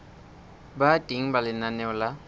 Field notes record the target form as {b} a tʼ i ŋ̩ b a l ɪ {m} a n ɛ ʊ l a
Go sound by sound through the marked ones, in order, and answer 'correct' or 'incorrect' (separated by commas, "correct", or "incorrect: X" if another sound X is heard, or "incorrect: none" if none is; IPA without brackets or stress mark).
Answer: correct, incorrect: n